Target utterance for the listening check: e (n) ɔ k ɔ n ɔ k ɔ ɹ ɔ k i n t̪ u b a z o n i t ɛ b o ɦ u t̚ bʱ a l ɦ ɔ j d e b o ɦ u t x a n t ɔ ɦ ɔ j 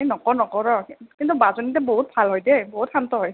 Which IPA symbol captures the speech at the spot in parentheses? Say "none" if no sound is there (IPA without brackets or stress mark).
n